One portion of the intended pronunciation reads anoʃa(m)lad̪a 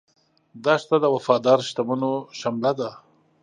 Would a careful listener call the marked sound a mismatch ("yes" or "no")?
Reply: no